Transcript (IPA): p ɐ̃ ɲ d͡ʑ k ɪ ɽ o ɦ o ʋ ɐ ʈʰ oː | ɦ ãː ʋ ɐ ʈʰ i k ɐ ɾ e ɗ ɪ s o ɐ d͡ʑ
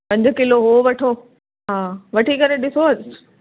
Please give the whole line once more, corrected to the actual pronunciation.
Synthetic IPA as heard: p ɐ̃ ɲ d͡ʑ k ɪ l o ɦ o ʋ ɐ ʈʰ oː | ɦ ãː ʋ ɐ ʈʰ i k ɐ ɾ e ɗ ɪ s o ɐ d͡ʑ